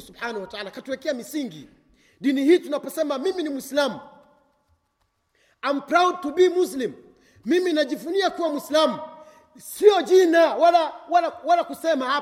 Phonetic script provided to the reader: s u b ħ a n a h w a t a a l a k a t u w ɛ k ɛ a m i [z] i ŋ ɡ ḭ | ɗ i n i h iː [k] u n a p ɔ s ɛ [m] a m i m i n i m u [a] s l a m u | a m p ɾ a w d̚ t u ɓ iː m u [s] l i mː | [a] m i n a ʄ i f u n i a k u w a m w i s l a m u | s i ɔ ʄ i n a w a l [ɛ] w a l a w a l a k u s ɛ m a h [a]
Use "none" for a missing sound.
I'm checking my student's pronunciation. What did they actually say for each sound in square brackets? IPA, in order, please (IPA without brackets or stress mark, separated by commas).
s, t, m, i, s, i, a, a